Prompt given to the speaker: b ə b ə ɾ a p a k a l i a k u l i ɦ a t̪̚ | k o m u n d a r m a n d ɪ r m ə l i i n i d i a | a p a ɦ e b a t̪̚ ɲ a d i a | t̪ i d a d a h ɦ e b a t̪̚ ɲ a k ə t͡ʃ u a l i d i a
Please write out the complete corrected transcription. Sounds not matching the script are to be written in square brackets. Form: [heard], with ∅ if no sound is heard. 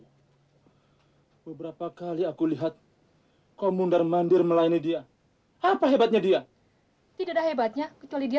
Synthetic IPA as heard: b ə b ə ɾ a p a k a l i a k u l i ɦ a t̪̚ | k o m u n d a r m a n d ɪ r m ə l [a] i n i d i a | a p a ɦ e b a t̪̚ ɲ a d i a | t̪ i d a d a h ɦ e b a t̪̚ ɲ a k ə t͡ʃ u a l i d i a